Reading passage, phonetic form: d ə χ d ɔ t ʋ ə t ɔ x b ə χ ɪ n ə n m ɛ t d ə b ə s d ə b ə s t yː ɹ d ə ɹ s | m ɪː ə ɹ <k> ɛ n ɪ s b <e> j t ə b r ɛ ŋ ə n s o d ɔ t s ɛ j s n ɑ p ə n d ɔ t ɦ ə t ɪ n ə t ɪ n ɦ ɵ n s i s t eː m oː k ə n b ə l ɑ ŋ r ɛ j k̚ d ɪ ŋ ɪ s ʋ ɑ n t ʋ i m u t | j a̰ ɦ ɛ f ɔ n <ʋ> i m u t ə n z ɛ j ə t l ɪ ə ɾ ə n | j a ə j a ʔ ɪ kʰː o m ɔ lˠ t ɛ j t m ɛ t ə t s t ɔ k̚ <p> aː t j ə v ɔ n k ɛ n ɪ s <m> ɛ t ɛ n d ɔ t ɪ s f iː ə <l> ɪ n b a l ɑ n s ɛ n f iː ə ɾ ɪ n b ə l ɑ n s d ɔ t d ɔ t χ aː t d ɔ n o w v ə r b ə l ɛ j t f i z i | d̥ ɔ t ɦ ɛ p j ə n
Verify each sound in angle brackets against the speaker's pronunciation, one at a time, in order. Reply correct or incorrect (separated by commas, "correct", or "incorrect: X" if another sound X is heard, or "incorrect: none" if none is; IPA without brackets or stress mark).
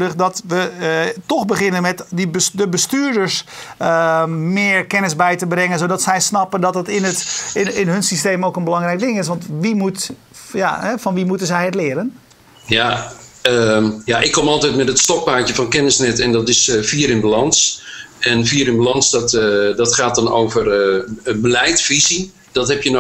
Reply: correct, incorrect: ɛ, correct, correct, incorrect: n, incorrect: ɾ